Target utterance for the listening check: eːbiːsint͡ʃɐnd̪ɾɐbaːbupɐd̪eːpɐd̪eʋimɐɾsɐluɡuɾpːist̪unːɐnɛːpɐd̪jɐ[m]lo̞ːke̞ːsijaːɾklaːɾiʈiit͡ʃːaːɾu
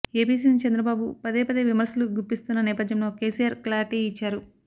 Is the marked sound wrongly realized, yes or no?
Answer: no